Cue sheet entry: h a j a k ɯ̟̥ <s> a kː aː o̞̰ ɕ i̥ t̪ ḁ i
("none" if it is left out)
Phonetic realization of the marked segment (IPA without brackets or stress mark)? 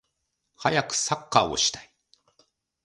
s